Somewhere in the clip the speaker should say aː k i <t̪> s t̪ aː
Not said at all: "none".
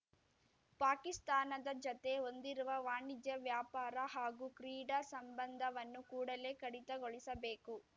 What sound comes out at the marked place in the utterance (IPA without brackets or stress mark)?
none